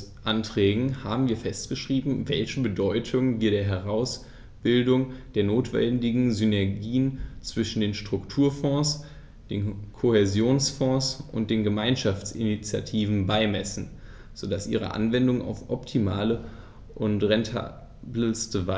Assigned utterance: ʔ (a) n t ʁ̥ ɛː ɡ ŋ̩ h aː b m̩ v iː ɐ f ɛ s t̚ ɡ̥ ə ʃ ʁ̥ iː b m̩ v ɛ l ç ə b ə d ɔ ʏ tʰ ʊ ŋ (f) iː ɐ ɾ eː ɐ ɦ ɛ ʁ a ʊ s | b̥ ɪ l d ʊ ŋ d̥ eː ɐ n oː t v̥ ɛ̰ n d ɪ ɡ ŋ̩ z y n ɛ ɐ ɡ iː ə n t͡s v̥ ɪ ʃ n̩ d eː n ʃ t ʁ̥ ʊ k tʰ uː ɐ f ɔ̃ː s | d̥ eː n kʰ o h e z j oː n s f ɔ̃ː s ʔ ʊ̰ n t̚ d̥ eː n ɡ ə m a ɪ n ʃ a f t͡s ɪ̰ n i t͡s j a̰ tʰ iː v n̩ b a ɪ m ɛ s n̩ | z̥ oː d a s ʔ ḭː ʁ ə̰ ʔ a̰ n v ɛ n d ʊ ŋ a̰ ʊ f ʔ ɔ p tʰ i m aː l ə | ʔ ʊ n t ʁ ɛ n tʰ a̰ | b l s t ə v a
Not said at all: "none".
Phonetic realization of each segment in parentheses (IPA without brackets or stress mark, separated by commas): a, v